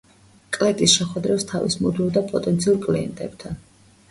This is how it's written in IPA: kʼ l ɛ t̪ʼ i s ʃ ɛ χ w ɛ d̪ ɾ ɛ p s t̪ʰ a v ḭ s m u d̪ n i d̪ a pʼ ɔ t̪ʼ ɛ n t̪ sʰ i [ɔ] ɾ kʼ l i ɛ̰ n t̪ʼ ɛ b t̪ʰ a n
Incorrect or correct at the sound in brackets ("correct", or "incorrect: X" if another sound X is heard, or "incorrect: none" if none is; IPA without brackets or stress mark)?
incorrect: u